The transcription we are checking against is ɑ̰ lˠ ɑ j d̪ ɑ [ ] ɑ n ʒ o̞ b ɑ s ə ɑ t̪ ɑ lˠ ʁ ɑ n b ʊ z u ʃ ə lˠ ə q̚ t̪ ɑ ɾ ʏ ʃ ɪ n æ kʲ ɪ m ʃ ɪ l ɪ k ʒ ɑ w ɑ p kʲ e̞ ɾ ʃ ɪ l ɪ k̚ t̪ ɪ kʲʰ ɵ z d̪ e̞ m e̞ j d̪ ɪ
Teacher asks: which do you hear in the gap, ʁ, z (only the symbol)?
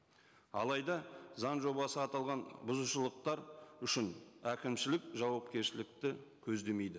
z